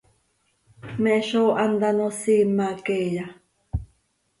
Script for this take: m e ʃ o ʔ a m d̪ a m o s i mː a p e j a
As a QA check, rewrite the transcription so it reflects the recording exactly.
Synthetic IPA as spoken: m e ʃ o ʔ a n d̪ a n o s i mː a k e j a

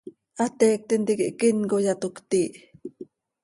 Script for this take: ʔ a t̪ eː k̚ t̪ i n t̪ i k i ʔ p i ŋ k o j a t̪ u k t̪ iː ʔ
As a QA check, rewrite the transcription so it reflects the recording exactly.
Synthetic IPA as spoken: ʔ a t̪ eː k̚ t̪ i n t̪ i k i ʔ k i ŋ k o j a t̪ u k t̪ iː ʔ

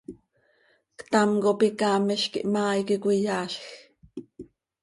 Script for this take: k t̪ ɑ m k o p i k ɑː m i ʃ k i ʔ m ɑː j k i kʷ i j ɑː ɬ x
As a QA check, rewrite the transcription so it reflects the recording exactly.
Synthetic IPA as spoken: k t̪ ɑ m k o p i k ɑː m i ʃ k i ʔ m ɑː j k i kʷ i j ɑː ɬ x

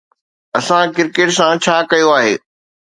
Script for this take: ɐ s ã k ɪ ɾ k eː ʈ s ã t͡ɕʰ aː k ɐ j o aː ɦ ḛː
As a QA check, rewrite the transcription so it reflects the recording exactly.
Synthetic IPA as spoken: ɐ s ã k ɪ ɾ k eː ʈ s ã t͡ɕʰ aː k ɐ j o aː ɦ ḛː

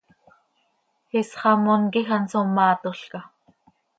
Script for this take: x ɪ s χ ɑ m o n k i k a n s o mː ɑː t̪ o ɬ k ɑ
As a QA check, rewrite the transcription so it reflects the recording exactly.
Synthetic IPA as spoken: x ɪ s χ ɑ m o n k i x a n s o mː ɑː t̪ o ɬ k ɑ

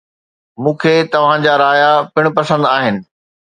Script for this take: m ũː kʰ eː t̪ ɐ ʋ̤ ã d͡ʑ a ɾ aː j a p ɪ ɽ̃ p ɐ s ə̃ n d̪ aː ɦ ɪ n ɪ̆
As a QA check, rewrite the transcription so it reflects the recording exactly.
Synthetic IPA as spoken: m ũː kʰ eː t̪ ɐ ʋ̤ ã d͡ʑ a ɾ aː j a p ɪ ɽ̃ p ɐ s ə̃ n d̪ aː ɦ ɪ n ɪ̆

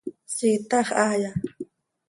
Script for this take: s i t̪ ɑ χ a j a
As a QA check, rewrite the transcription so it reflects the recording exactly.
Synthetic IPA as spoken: s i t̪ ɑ χ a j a

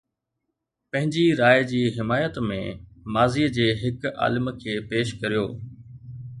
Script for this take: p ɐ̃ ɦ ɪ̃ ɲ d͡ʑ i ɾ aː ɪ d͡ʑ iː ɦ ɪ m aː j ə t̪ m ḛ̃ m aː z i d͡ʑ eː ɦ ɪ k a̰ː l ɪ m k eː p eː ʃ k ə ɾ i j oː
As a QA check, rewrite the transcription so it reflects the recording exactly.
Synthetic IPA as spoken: p ɐ̃ ɦ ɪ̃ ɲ d͡ʑ i ɾ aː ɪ d͡ʑ iː ɦ ɪ m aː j ə t̪ m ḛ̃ m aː z i d͡ʑ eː ɦ ɪ k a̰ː l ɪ m kʰ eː p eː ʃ k ɐ ɾ i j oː

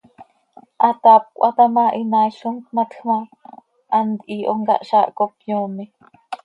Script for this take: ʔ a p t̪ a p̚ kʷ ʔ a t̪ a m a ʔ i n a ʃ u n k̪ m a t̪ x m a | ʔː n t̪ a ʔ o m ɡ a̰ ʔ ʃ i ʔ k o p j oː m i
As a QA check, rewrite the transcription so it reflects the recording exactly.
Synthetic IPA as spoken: ʔ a t̪ a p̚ kʷ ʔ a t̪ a m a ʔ i n a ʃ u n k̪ m a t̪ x m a | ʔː n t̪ i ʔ o ŋ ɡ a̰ ʔ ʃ a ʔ k o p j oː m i

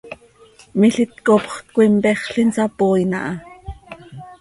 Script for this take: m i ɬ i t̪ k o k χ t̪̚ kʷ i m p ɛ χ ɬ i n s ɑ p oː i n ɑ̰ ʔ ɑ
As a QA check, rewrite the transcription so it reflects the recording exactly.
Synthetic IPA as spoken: m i ɬ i t̪ k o p χ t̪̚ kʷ i m p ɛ χ ɬ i n s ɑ p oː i n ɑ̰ ʔ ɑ

